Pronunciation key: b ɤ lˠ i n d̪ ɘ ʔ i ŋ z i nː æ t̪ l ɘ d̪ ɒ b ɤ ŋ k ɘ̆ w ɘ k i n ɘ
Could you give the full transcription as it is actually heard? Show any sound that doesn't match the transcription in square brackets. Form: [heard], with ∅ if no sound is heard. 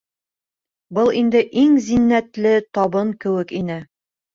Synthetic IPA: b ɤ lˠ i n d̪ ɘ ʔ i ŋ z i nː æ t̪ l ɘ [t̪] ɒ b ɤ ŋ k ɘ̆ w ɘ k i n ɘ